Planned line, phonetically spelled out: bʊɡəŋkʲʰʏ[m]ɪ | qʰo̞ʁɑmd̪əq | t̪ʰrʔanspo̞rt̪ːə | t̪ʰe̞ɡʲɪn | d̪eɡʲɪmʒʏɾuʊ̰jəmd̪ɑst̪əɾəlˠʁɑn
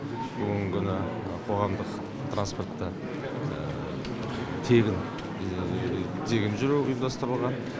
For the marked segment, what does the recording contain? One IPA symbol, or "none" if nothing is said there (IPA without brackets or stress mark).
n